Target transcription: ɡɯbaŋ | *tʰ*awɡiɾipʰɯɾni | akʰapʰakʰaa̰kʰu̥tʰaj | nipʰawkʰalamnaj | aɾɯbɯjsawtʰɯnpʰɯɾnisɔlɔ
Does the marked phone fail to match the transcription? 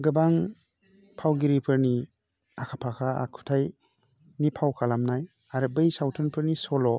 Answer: yes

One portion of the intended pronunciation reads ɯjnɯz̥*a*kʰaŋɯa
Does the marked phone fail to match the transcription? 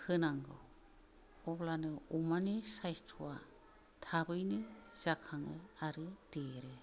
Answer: no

